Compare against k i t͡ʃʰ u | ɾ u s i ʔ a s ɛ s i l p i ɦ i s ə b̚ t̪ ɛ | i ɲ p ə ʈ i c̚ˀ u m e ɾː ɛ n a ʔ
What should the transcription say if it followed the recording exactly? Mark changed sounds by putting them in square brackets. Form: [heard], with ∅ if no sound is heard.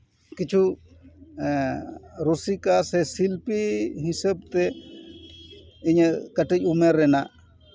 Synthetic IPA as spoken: k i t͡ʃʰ u | ɾ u s i [k] a s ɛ s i l p i ɦ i s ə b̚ t̪ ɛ | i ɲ [k] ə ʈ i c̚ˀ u m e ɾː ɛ n a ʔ